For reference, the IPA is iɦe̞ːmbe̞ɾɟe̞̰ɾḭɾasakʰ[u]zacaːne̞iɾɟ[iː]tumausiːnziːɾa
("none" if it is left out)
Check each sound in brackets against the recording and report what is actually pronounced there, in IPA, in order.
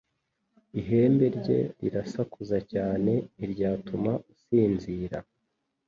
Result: u, aː

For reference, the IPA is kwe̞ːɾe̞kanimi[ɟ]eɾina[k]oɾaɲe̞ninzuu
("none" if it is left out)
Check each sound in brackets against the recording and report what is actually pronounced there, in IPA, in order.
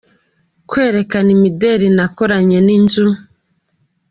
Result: d, k

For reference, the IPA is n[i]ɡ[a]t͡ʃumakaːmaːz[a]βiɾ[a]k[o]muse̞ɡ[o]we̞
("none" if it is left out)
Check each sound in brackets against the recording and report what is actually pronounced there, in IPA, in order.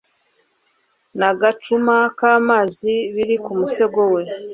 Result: a, a, i, i, u, o

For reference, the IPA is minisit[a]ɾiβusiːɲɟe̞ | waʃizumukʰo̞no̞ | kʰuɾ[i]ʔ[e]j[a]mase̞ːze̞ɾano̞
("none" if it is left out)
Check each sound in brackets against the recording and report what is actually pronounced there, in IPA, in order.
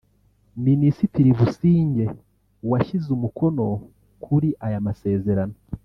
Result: i, i, a, a

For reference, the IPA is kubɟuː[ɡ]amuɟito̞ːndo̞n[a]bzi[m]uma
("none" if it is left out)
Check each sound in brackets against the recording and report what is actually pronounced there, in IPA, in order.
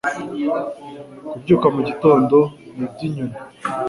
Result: k, i, ɲ

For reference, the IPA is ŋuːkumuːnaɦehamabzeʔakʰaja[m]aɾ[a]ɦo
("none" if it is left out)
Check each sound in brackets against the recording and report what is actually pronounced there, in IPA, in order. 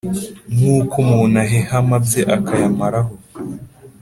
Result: m, a

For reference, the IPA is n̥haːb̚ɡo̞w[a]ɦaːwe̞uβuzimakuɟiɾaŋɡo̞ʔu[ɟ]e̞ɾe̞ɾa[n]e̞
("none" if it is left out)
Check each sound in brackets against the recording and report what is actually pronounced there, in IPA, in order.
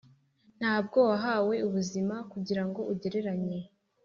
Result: a, ɟ, ɲ

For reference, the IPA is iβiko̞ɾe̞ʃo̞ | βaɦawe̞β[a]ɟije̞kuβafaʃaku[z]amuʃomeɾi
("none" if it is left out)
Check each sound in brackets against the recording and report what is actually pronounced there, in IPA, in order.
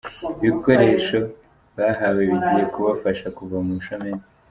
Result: i, v

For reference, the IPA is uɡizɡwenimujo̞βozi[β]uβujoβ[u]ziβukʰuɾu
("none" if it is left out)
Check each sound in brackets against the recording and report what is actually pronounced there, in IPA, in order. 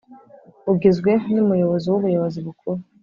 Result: w, o

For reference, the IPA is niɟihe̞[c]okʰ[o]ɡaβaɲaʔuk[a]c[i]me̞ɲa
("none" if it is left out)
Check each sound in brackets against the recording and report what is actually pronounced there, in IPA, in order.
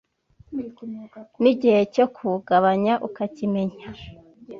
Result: c, u, a, i

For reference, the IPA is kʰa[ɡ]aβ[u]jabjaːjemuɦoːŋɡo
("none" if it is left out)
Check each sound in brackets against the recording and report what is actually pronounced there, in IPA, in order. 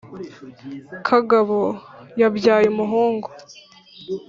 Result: ɡ, o

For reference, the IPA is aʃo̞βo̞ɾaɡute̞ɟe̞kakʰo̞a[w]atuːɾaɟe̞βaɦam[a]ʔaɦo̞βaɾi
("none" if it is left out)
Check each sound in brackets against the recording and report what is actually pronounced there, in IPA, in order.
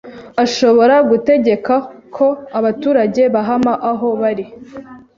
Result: β, a

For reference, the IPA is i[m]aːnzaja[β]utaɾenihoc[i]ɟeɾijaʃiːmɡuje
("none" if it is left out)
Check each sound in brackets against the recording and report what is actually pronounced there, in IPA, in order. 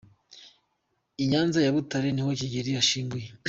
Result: ɲ, β, i

